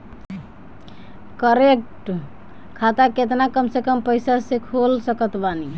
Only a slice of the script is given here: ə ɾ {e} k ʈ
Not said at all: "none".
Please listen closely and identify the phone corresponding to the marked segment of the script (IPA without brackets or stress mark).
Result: e